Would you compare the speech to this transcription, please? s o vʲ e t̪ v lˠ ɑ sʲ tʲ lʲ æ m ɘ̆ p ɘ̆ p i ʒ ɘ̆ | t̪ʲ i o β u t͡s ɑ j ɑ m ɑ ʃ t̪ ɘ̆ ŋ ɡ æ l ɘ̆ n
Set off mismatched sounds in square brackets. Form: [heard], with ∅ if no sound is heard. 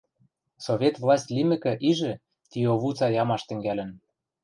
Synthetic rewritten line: s o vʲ e t̪ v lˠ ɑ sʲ tʲ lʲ [i] m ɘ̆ [k] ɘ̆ [ʔ] i ʒ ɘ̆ | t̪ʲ i o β u t͡s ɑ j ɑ m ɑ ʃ t̪ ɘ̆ ŋ ɡ æ l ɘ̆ n